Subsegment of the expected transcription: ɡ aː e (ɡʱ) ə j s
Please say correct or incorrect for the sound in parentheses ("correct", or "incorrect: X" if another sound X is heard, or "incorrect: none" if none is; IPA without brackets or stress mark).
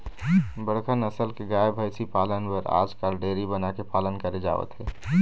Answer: incorrect: bʱ